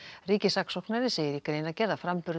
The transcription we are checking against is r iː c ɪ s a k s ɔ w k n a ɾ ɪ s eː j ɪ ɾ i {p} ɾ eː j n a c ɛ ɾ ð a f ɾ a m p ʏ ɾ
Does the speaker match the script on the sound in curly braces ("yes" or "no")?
no